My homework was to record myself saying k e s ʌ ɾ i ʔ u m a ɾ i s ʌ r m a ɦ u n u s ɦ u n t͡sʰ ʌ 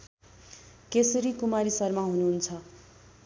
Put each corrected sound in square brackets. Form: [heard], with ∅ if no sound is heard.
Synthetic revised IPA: k e s ʌ ɾ i [k] u m a ɾ i s ʌ r m a ɦ u n u [∅] ɦ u n t͡sʰ ʌ

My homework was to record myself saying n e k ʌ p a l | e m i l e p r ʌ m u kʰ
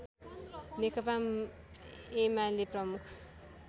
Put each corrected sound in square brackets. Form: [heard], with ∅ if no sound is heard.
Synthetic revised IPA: n e k ʌ p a [∅] | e m [a] l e p r ʌ m u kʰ

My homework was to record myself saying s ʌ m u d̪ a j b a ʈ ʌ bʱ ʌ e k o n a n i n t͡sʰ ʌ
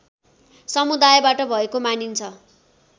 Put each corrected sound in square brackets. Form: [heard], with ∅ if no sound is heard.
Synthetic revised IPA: s ʌ m u d̪ a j b a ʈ ʌ bʱ ʌ e k o [m] a n i n t͡sʰ ʌ

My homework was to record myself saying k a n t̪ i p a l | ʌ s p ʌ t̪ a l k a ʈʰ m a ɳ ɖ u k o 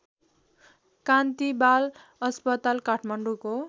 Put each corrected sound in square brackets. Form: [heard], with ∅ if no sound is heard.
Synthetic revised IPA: k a n t̪ i [b] a l | ʌ s p ʌ t̪ a l k a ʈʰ m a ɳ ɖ u k o

